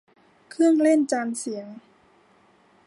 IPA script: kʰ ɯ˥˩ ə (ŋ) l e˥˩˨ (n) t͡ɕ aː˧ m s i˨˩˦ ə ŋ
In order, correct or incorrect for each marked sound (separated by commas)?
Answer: correct, correct